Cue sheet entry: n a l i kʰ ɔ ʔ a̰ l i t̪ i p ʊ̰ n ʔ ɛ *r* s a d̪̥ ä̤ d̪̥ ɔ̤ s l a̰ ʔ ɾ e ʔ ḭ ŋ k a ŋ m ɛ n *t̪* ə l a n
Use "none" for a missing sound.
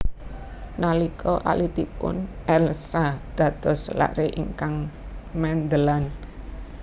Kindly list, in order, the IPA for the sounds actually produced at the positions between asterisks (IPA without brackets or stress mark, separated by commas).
l, d̪